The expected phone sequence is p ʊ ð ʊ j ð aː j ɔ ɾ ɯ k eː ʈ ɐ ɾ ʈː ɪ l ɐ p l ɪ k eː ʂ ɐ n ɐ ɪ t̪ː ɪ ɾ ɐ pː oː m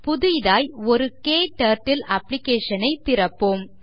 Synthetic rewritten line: p ʊ ð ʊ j ð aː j ɔ ɾ ɯ k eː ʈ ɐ ɾ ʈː ɪ l ɐ p l ɪ k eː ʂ ɐ n ɐ ɪ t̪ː ɪ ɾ ɐ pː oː m